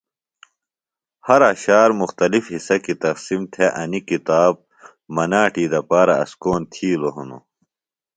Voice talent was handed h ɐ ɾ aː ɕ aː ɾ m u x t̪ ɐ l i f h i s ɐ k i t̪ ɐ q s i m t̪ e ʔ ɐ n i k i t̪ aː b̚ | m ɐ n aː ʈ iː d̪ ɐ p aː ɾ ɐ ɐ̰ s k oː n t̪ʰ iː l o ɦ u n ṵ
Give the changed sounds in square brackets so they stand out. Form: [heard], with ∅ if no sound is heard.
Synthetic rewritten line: h ɐ ɾ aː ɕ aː ɾ m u x t̪ ɐ l i f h i s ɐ k i t̪ ɐ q s i m [t̪ʰ] e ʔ ɐ n i k i t̪ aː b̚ | m ɐ n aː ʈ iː d̪ ɐ p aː ɾ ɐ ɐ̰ s k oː n t̪ʰ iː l o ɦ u n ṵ